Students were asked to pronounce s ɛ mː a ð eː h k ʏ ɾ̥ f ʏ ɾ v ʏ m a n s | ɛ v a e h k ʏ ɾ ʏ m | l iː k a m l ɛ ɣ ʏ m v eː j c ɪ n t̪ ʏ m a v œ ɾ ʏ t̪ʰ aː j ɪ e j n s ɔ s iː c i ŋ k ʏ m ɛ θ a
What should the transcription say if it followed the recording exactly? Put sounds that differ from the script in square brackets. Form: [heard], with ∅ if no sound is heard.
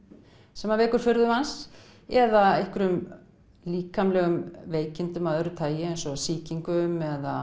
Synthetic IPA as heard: s ɛ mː a [v] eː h k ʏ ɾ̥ f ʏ ɾ [ð] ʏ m a n s | ɛ [ð] a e h k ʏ ɾ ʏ m | l iː k a m l ɛ ɣ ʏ m v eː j c ɪ n t̪ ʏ m a [ð] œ ɾ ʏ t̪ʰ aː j ɪ e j n s ɔ s iː c i ŋ k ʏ m ɛ [ð] a

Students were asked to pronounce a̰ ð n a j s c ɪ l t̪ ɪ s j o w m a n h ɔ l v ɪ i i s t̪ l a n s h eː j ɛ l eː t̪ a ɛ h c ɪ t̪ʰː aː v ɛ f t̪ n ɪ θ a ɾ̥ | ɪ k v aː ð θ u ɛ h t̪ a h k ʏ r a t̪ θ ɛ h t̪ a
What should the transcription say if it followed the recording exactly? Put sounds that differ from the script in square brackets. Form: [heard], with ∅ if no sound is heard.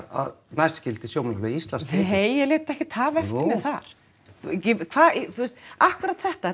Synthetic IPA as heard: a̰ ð n a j s c ɪ l t̪ ɪ s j o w m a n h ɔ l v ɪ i i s t̪ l a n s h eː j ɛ l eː t̪ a ɛ h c ɪ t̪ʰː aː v ɛ f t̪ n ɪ θ a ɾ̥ | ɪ [kʰ] v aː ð θ u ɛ [s] t̪ a h k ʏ [ɾ] a t̪ θ ɛ h t̪ a

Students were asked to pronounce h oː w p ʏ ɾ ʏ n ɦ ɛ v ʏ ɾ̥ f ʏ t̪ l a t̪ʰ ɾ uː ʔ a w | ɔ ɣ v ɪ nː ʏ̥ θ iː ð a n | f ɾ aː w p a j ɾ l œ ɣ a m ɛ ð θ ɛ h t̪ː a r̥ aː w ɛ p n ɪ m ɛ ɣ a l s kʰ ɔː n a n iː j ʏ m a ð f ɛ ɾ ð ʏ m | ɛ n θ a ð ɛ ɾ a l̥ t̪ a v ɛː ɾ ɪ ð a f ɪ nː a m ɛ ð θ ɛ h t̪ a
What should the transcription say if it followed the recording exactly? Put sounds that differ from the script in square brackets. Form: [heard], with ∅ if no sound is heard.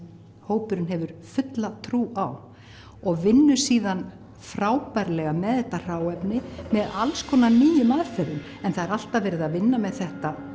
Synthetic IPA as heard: h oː w p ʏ ɾ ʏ n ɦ ɛ v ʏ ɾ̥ f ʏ t̪ l a t̪ʰ ɾ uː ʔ a w | ɔ ɣ v ɪ nː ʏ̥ [s] iː ð a n | f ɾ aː w p a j ɾ l [ɛ] ɣ a m ɛ ð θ ɛ h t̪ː a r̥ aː w ɛ p n ɪ m ɛ [ð] a l s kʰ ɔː n a n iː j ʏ m a ð f ɛ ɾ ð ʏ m | ɛ n θ a ð ɛ ɾ a l̥ t̪ a v ɛː ɾ ɪ ð a [v] ɪ nː a m ɛ ð θ ɛ h t̪ a

